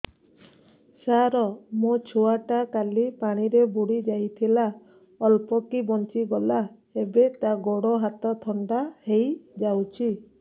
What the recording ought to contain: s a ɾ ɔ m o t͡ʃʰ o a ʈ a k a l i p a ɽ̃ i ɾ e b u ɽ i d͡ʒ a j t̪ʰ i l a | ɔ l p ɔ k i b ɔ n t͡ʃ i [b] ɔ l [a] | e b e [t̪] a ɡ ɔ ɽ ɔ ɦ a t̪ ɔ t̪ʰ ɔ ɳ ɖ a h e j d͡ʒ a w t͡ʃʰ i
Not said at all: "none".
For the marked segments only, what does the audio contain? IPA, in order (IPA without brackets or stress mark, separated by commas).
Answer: ɡ, a, t̪